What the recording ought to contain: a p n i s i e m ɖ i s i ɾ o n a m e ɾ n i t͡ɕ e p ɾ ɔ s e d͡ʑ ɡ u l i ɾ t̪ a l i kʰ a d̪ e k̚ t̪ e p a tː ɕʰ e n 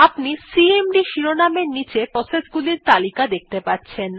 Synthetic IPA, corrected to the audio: a p n i s i e m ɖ i ʃ i ɾ o n a m e ɾ n i t͡ɕ e p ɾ ɔ s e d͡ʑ ɡ u l i ɾ t̪ a l i k a d̪ e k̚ t̪ e p a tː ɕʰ e n